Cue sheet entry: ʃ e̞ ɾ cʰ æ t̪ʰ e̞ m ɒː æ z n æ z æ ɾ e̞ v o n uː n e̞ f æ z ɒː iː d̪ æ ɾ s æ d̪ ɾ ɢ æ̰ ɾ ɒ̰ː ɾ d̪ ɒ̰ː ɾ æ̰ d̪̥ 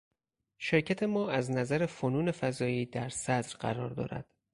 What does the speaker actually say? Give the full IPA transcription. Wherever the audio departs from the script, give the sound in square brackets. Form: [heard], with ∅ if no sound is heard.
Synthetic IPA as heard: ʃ e̞ ɾ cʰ æ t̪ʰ e̞ m ɒː æ z n æ z æ ɾ e̞ [f] o n uː n e̞ f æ z ɒː iː d̪ æ ɾ s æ d̪ ɾ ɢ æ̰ ɾ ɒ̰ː ɾ d̪ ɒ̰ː ɾ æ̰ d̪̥